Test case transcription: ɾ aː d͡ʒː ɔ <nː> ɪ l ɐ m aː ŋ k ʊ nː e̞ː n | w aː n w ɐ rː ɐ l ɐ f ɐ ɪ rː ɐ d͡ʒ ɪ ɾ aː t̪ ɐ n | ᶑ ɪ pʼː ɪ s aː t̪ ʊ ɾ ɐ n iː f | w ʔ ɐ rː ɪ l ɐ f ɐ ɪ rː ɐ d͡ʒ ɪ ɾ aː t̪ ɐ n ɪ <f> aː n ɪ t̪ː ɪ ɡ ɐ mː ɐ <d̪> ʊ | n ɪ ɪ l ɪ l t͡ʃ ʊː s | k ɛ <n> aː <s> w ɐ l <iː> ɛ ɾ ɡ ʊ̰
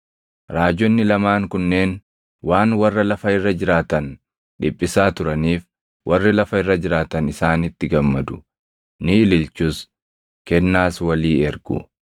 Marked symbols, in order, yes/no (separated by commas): yes, no, yes, no, yes, yes